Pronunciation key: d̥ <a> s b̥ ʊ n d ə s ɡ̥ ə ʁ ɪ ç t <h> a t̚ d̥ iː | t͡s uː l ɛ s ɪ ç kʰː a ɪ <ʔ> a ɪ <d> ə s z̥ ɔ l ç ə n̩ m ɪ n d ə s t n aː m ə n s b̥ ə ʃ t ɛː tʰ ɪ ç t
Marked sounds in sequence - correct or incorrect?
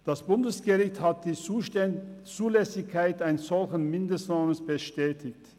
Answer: correct, correct, incorrect: t, incorrect: n

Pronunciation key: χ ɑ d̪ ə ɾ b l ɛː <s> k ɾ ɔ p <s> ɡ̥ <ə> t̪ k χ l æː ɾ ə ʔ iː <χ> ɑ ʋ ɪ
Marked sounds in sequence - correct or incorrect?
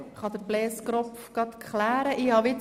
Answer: correct, incorrect: f, incorrect: ɑ, incorrect: h

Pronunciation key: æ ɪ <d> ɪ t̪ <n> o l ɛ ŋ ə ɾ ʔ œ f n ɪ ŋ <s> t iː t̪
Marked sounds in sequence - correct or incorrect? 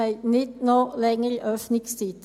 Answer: incorrect: n, correct, correct

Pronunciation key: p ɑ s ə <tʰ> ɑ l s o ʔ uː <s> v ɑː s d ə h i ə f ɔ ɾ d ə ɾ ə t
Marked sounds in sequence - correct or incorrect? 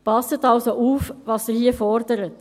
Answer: incorrect: t, incorrect: f

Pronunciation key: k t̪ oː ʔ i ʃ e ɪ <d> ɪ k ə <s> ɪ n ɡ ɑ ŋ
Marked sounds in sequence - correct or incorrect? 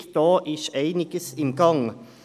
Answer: incorrect: n, correct

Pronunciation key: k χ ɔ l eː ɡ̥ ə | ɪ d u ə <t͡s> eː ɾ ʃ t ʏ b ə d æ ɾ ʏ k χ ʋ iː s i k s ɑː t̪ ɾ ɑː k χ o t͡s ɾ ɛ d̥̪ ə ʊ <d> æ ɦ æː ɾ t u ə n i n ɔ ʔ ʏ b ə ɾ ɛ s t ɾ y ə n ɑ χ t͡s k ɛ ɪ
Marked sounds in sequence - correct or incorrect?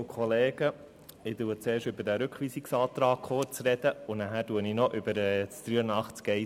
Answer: correct, incorrect: n

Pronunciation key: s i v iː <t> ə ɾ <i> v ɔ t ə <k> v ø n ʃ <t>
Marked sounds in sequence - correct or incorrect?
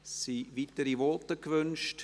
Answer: correct, correct, correct, correct

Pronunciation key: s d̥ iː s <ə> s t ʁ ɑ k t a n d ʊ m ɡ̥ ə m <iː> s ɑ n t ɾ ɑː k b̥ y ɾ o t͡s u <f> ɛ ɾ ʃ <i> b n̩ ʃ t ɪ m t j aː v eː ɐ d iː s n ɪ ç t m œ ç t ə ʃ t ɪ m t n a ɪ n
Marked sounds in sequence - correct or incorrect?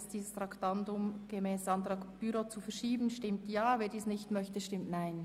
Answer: correct, incorrect: ɛː, correct, incorrect: iː

